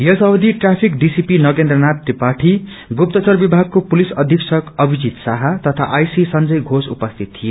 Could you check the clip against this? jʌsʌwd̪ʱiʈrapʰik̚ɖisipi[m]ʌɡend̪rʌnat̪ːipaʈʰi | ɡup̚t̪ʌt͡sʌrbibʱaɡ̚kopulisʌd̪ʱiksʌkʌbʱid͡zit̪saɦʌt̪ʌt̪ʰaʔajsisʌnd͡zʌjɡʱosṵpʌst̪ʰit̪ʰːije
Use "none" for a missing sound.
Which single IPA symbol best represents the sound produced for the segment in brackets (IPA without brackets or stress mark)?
n